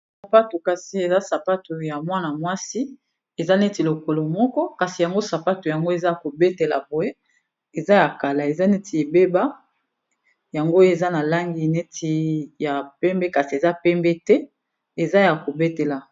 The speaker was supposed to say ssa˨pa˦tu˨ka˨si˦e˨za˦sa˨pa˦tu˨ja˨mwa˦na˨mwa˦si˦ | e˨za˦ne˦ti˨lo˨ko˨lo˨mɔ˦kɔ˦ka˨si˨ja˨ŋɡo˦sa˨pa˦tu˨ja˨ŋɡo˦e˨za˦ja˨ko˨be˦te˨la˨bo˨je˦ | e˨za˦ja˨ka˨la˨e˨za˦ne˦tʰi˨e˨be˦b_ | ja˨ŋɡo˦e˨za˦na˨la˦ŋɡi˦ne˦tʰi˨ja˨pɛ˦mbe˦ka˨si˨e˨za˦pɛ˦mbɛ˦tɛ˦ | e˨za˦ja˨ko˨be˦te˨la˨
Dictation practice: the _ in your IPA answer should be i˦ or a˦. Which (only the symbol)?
a˦